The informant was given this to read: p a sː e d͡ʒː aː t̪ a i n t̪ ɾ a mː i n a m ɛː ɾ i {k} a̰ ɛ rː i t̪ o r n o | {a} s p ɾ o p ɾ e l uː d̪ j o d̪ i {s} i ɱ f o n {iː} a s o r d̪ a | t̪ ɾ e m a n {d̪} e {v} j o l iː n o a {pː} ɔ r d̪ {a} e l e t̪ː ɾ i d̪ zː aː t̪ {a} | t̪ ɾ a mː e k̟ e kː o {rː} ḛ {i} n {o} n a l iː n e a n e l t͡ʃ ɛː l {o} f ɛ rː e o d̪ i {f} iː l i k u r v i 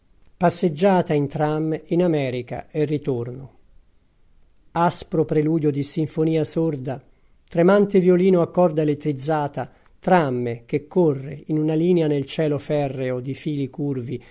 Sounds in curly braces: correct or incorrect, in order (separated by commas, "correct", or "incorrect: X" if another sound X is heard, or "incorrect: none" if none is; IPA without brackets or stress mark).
correct, correct, correct, correct, incorrect: t̪, correct, incorrect: kː, correct, correct, correct, correct, incorrect: u, correct, correct